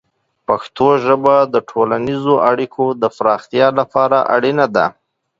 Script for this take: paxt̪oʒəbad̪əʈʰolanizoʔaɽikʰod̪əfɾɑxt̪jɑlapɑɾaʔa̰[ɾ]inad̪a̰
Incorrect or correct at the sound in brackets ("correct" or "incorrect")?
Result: incorrect